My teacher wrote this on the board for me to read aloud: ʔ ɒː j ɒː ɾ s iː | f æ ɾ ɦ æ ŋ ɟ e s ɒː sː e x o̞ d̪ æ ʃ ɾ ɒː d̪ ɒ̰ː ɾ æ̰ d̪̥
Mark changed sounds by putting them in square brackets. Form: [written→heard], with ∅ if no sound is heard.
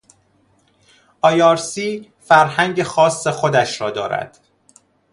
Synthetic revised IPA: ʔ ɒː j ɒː ɾ s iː | f æ ɾ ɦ æ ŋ ɟ e [s→x] ɒː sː e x o̞ d̪ æ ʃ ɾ ɒː d̪ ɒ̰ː ɾ æ̰ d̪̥

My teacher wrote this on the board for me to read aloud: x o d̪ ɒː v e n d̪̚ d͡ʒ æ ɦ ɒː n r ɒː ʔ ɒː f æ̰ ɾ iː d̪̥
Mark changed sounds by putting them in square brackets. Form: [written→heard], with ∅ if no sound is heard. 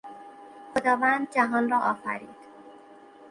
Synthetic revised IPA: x o d̪ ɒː v [e→æ] n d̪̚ d͡ʒ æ ɦ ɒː n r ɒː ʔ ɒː f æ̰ ɾ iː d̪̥

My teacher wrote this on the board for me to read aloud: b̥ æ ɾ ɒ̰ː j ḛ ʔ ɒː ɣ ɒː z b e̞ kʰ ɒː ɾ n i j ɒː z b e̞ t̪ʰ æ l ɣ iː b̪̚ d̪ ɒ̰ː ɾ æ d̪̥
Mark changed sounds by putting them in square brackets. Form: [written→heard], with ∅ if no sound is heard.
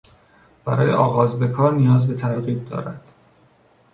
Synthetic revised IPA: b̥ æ ɾ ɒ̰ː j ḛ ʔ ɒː ɣ ɒː z b e̞ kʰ ɒː ɾ n i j ɒː z b e̞ t̪ʰ æ [l→ɾ] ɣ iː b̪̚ d̪ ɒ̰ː ɾ æ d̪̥

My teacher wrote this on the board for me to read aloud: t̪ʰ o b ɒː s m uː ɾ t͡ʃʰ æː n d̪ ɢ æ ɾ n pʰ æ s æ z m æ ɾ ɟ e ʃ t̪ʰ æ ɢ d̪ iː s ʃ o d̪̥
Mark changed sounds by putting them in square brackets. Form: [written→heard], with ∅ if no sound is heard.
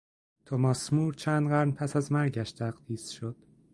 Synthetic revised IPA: t̪ʰ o [b→m] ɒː s m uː ɾ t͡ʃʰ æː n d̪ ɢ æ ɾ n pʰ æ s æ z m æ ɾ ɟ [e→æ] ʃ t̪ʰ æ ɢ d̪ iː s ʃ o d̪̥

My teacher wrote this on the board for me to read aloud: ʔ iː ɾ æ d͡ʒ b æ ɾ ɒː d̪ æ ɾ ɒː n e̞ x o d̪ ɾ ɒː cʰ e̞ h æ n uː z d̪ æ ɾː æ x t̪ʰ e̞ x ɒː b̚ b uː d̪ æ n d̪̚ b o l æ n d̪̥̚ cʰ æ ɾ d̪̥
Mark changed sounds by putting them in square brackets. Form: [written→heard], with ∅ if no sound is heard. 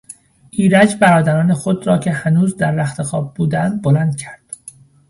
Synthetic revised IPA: ʔ iː ɾ æ d͡ʒ b æ ɾ ɒː d̪ æ ɾ ɒː n e̞ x o d̪ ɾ ɒː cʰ e̞ h æ n uː z d̪ æ ɾː æ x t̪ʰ e̞ x ɒː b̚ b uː d̪ æ n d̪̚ b o l æ n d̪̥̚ cʰ æ ɾ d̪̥

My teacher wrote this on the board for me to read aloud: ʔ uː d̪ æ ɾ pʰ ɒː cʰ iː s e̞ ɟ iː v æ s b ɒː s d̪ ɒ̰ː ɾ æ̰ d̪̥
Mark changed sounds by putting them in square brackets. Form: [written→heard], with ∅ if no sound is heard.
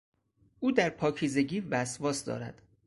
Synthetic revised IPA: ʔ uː d̪ æ ɾ pʰ ɒː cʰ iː [s→z] e̞ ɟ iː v æ s [b→v] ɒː s d̪ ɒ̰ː ɾ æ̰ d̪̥

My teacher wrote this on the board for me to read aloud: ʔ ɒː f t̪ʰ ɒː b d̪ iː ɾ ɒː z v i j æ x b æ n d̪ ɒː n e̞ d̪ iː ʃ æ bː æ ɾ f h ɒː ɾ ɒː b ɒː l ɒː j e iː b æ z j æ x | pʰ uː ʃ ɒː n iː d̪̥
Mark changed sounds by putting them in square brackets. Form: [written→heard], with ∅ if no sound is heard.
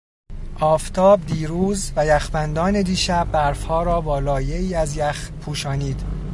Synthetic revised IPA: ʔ ɒː f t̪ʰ ɒː b d̪ iː ɾ [ɒː→uː] z v [i→æ] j æ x b æ n d̪ ɒː n e̞ d̪ iː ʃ æ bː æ ɾ f h ɒː ɾ ɒː b ɒː l ɒː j e iː [b→∅] æ z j æ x | pʰ uː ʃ ɒː n iː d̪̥

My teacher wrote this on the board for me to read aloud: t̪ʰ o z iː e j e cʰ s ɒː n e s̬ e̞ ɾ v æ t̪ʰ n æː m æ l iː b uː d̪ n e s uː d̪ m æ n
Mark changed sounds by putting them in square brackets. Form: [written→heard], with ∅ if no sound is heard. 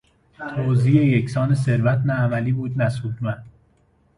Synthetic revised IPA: t̪ʰ o z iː e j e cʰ s ɒː n e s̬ e̞ ɾ v æ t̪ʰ n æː m æ l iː b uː d̪ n [e→æ] s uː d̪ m æ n

